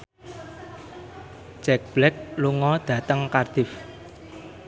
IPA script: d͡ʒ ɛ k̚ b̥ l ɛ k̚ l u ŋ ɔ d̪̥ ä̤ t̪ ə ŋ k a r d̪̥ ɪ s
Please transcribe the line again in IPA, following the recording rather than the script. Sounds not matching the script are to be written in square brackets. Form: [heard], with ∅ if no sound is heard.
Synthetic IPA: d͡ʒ ɛ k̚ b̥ l ɛ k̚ l u ŋ ɔ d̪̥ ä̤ t̪ ə ŋ k a r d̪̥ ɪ [f]